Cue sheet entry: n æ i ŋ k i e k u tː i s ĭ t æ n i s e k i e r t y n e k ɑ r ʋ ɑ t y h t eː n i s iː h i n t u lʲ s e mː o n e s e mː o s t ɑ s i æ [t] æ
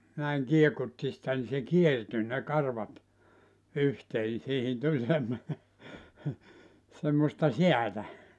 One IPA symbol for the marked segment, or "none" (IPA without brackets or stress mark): t